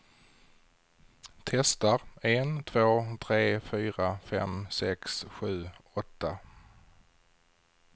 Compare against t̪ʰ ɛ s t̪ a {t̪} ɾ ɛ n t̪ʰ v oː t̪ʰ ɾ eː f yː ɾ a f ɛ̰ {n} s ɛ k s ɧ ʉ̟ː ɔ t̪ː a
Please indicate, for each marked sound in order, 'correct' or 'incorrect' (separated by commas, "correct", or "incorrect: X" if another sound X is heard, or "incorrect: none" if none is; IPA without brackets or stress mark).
incorrect: none, incorrect: m